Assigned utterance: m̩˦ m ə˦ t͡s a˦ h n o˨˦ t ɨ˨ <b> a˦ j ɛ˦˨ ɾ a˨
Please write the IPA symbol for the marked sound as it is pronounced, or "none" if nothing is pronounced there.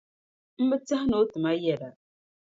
m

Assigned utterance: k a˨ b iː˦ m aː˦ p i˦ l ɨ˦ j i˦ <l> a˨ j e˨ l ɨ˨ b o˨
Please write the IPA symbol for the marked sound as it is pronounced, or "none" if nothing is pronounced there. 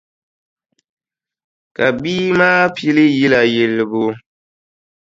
l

